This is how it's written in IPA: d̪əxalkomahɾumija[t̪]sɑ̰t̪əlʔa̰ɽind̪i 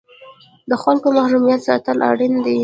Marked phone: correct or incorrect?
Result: correct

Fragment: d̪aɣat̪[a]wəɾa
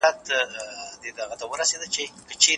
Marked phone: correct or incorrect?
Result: correct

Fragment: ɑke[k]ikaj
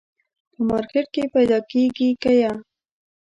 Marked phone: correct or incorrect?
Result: incorrect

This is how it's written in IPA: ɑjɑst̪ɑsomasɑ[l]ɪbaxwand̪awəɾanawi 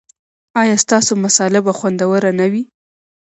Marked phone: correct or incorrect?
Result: correct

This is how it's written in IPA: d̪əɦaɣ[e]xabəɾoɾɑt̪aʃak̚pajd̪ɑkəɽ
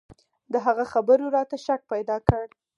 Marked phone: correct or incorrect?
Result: incorrect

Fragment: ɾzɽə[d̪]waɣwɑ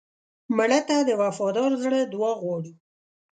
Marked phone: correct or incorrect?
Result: correct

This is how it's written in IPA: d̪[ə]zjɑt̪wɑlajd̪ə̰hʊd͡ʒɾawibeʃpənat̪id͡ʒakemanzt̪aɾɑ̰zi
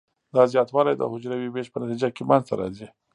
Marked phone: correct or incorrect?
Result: incorrect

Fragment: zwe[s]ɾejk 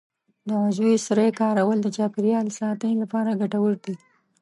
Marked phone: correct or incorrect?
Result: correct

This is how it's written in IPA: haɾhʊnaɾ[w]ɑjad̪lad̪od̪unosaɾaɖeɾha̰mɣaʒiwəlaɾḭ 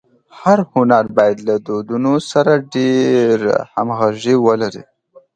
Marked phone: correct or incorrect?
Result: incorrect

